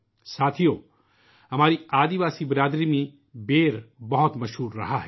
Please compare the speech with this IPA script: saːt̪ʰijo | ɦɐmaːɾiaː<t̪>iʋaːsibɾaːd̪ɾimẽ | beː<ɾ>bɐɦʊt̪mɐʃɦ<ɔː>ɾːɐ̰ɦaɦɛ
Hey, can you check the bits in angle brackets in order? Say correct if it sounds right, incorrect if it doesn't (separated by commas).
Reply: incorrect, correct, incorrect